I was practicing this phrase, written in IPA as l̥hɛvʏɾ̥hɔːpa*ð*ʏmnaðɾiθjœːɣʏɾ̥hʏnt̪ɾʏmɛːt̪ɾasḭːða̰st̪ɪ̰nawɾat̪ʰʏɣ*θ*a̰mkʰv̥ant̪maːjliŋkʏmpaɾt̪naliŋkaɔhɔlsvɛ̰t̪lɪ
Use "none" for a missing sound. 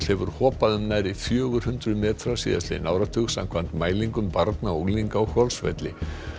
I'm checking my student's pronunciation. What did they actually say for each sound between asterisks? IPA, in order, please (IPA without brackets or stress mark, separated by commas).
ð, s